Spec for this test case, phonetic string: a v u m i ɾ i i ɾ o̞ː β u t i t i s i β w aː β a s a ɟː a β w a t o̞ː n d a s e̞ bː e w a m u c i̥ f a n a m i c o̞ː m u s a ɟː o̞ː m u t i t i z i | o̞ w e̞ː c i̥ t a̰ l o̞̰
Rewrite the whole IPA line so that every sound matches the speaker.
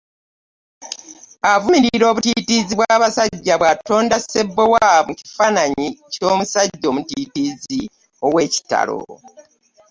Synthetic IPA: a v u m i ɾ i i ɾ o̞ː β u t i t i z i β w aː β a s a ɟː a β w a t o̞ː n d a s e̞ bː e w a m u c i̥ f a n a ɲ i c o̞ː m u s a ɟː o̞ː m u t i t i z i | o̞ w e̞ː c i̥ t a̰ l o̞̰